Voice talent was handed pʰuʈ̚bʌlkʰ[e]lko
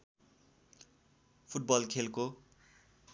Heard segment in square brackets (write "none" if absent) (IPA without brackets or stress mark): e